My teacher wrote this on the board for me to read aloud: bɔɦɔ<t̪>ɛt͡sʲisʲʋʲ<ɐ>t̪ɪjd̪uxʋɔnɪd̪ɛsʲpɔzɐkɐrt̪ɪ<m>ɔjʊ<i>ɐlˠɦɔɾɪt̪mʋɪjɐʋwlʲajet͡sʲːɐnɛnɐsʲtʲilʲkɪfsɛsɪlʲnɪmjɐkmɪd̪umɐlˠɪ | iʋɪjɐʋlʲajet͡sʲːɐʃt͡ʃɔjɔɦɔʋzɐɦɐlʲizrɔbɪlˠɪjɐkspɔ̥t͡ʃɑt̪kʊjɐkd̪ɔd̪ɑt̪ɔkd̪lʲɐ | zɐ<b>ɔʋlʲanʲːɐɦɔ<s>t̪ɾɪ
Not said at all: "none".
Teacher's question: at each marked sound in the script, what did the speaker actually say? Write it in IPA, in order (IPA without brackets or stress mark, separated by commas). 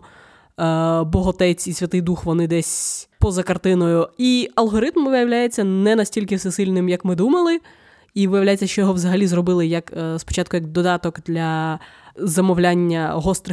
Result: t̪, ɐ, n, i, m, s